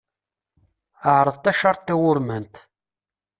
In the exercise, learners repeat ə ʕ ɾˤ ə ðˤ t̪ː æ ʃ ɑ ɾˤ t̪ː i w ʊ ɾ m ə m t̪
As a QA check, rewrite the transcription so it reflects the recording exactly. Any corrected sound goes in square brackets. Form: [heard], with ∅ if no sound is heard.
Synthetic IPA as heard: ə ʕ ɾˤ ə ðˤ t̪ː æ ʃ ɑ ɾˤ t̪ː [æ] w ʊ ɾ m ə [n] t̪